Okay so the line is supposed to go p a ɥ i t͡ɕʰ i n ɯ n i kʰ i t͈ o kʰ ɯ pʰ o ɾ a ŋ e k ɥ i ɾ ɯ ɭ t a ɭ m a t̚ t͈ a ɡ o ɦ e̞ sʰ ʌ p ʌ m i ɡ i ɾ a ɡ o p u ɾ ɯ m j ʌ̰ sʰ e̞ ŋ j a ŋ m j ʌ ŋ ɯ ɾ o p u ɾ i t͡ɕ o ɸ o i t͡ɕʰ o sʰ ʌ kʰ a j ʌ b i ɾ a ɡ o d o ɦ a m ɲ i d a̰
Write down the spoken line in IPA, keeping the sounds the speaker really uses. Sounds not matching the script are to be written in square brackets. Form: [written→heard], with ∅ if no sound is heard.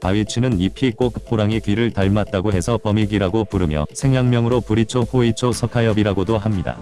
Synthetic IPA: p a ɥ i t͡ɕʰ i n ɯ n i [kʰ→pʰ] i [t͈→k͈] o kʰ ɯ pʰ o ɾ a ŋ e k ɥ i ɾ ɯ ɭ t a ɭ m a t̚ t͈ a ɡ o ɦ e̞ sʰ ʌ p ʌ m i ɡ i ɾ a ɡ o p u ɾ ɯ m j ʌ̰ sʰ e̞ ŋ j a ŋ m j ʌ ŋ ɯ ɾ o p u ɾ i [t͡ɕ→t͡ɕʰ] o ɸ o i t͡ɕʰ o sʰ ʌ kʰ a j ʌ b i ɾ a ɡ o d o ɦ a m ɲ i d a̰